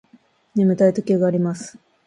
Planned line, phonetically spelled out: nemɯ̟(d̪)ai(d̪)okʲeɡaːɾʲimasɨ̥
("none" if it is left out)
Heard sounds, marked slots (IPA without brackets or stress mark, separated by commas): t̪, t̪